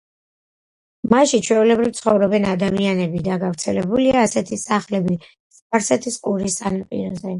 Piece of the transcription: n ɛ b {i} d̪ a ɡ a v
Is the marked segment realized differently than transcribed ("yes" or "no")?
no